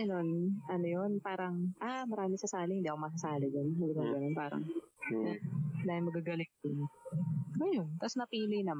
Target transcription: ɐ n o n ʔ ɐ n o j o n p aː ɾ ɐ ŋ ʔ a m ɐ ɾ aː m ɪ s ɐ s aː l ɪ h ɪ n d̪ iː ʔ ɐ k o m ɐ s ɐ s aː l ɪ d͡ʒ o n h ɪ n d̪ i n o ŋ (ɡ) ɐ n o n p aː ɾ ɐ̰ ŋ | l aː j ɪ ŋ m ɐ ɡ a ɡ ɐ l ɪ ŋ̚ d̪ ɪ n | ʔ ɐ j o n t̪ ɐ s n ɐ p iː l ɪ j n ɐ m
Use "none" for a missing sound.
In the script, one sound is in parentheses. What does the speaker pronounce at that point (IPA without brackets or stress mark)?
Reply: ɡ